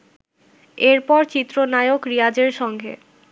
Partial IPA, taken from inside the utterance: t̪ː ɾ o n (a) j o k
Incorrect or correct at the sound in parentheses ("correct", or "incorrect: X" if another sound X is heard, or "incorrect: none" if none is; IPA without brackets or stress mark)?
correct